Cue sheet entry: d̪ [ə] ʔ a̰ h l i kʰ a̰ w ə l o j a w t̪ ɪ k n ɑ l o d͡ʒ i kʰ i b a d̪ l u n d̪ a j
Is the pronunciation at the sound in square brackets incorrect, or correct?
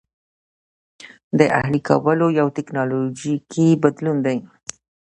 correct